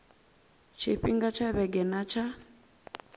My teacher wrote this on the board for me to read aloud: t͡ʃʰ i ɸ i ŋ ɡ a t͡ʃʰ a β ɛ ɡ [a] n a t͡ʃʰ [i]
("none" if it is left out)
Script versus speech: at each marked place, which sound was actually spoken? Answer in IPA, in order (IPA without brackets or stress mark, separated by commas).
ɛ, a